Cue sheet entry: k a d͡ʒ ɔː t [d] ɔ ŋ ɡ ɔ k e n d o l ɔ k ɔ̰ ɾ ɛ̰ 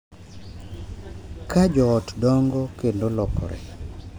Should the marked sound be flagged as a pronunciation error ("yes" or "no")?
no